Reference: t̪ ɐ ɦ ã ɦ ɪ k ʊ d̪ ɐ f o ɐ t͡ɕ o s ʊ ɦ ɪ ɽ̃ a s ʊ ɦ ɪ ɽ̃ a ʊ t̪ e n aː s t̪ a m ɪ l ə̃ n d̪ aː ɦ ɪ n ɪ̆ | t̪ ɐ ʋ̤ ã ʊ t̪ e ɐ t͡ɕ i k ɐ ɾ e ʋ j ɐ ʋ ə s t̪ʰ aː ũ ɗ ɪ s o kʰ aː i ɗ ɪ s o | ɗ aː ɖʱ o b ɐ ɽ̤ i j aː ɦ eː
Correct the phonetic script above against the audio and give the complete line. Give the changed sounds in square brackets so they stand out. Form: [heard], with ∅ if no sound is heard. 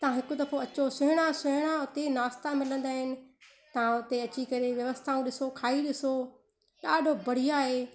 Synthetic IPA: t̪ ɐ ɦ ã ɦ ɪ k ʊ d̪ ɐ f o ɐ t͡ɕ o s ʊ ɦ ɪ ɽ̃ a s ʊ ɦ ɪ ɽ̃ a ʊ t̪ e n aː s t̪ a m ɪ l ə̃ n d̪ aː ɦ ɪ n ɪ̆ | t̪ ɐ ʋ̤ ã ʊ t̪ e ɐ t͡ɕ i k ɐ ɾ e ʋ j ɐ ʋ ə s t̪ʰ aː ũ ɗ ɪ s o kʰ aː i ɗ ɪ s o | ɗ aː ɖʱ o b ɐ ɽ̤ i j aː ɦ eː

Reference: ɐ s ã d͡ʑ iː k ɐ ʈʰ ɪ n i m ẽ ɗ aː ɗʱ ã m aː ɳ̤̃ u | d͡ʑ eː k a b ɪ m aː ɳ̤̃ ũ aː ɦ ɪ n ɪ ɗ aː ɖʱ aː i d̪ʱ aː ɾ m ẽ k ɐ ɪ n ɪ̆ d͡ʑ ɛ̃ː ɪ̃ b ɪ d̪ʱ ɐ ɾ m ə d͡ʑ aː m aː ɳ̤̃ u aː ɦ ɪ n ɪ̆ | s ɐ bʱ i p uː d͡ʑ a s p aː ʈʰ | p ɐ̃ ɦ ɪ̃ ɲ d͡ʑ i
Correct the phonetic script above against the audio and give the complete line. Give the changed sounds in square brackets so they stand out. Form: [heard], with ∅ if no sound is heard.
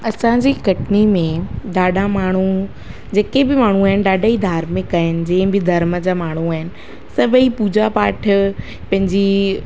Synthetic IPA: ɐ s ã d͡ʑ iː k ɐ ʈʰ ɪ n i m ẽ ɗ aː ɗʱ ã m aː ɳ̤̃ u | d͡ʑ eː k [e] b ɪ m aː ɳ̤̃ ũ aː ɦ ɪ n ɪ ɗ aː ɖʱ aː i d̪ʱ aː ɾ m ẽ k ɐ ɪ n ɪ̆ d͡ʑ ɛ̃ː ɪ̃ b ɪ d̪ʱ ɐ ɾ m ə d͡ʑ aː m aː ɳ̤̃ u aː ɦ ɪ n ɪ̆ | s ɐ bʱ i p uː d͡ʑ a [∅] p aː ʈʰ | p ɐ̃ ɦ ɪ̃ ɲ d͡ʑ i

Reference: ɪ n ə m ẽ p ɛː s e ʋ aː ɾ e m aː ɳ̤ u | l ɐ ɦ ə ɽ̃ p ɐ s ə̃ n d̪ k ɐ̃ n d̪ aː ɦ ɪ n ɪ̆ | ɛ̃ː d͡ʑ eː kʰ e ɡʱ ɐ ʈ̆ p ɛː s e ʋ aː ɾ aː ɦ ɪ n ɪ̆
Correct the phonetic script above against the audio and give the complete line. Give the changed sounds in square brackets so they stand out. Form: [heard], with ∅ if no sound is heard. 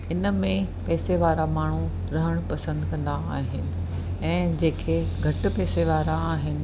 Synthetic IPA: ɪ n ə m ẽ p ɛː s e ʋ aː ɾ [a] m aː ɳ̤ u | [ɾ] ɐ ɦ ə ɽ̃ p ɐ s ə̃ n d̪ k ɐ̃ n d̪ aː ɦ ɪ n ɪ̆ | ɛ̃ː d͡ʑ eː kʰ e ɡʱ ɐ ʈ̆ p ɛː s e ʋ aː ɾ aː ɦ ɪ n ɪ̆

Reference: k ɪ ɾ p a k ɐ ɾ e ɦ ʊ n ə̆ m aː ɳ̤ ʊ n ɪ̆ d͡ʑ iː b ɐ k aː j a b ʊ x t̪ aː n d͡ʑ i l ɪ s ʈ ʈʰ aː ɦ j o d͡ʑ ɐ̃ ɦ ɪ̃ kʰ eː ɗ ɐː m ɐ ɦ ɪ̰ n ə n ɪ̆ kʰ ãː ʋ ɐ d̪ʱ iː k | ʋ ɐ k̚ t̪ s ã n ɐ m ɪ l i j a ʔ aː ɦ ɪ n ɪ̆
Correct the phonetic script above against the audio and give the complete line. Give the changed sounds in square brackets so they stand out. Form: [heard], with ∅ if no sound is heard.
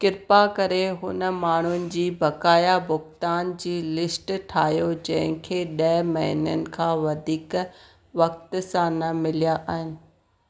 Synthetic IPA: k ɪ ɾ p a k ɐ ɾ e ɦ ʊ n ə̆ m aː ɳ̤ ʊ n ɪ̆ d͡ʑ iː b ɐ k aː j a b ʊ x t̪ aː n d͡ʑ [iː] l ɪ s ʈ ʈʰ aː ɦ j o d͡ʑ ɐ̃ ɦ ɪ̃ kʰ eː ɗ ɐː m ɐ ɦ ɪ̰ n ə n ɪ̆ kʰ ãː ʋ ɐ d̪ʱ iː k | ʋ ɐ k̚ t̪ s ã n ɐ m ɪ l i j a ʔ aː ɦ ɪ n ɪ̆

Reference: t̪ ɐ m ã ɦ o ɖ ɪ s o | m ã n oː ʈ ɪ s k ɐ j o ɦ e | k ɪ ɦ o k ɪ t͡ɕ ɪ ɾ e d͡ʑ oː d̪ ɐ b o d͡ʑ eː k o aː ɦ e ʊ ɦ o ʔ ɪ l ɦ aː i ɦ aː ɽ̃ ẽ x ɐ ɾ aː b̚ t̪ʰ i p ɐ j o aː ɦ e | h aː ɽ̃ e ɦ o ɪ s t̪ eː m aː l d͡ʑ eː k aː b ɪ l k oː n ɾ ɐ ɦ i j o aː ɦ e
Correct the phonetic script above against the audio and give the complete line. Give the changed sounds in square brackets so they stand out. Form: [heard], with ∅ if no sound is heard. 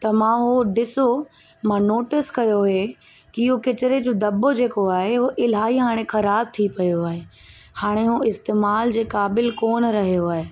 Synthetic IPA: t̪ ɐ m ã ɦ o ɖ ɪ s o | m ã n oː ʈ ɪ s k ɐ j o ɦ e | k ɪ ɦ o k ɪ t͡ɕ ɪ ɾ e d͡ʑ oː d̪ ɐ b o d͡ʑ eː k o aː ɦ e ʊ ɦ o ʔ ɪ l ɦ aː i ɦ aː ɽ̃ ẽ x ɐ ɾ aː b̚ t̪ʰ i p ɐ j o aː ɦ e | h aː ɽ̃ e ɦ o ɪ s t̪ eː m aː l d͡ʑ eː k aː b ɪ l k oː n ɾ ɐ ɦ i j o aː ɦ e

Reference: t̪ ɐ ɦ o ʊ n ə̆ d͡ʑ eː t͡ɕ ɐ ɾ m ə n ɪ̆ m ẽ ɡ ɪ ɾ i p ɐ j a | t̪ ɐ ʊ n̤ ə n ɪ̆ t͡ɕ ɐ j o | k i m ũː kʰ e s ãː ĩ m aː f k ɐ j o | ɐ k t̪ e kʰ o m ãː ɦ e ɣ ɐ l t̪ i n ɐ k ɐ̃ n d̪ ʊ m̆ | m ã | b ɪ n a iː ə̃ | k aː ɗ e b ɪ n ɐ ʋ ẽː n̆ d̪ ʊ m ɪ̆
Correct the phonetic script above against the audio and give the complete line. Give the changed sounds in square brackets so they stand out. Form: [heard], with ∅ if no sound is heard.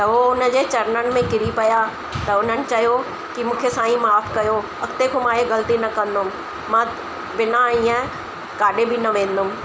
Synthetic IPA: t̪ ɐ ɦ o ʊ n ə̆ d͡ʑ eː t͡ɕ ɐ ɾ [n] ə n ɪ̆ m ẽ [k] ɪ ɾ i p ɐ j a | t̪ ɐ ʊ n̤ ə n ɪ̆ t͡ɕ ɐ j o | k i m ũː kʰ e s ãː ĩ m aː f k ɐ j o | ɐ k t̪ e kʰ o m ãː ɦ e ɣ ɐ l t̪ i n ɐ k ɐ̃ n d̪ ʊ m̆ | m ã | b ɪ n a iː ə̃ | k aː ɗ e b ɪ n ɐ ʋ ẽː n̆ d̪ ʊ m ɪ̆

